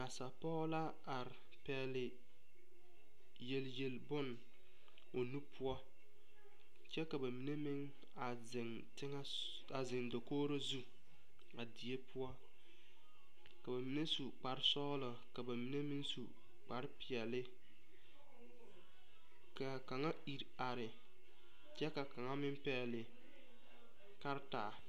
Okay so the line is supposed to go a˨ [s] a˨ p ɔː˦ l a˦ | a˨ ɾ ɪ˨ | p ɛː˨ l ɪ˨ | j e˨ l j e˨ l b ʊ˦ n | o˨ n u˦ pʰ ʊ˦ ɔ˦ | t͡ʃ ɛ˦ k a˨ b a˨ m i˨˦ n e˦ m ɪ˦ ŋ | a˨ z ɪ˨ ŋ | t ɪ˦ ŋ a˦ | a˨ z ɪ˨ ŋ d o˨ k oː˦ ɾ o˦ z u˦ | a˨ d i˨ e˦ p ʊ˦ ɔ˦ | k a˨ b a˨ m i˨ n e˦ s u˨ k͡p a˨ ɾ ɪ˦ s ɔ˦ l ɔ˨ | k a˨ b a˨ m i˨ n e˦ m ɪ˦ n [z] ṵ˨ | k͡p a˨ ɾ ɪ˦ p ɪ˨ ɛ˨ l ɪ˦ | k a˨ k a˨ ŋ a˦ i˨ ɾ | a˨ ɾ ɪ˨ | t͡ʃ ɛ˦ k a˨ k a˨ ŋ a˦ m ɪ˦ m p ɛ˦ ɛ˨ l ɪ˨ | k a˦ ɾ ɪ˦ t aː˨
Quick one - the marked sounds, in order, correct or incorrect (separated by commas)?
correct, incorrect